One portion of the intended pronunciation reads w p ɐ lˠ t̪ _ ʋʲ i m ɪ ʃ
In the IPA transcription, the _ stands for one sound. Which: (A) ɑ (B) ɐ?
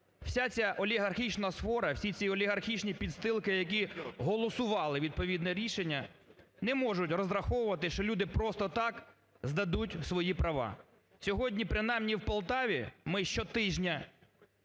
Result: A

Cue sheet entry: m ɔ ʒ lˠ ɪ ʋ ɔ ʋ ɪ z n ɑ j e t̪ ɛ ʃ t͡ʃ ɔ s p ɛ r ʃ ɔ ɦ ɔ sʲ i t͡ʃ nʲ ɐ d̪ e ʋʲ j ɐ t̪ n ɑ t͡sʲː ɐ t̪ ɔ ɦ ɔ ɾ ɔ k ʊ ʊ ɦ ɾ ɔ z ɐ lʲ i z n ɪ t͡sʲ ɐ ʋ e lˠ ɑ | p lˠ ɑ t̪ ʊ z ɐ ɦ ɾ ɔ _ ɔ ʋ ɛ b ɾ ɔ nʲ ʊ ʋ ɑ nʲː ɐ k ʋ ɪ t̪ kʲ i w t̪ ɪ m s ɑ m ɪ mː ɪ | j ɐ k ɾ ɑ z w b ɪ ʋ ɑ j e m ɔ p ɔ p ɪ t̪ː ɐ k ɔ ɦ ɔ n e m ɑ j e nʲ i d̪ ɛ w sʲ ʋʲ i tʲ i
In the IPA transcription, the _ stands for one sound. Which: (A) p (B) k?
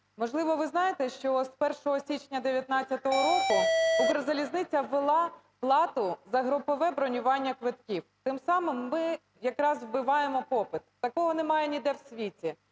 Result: A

